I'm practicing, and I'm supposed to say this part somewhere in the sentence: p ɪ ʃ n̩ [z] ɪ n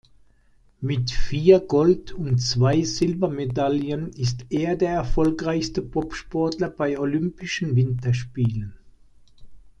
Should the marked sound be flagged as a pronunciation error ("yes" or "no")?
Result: yes